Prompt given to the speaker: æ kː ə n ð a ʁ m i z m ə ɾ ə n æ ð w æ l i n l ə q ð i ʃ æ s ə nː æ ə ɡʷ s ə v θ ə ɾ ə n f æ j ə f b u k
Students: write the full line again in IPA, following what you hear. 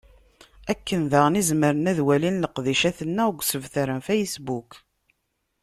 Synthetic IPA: æ kː ə n ð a ʁ n i z m ə ɾ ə n æ ð w æ l i n l ə q ð i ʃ æ θ ə nː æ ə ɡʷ s ə v θ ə ɾ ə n f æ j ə s b u k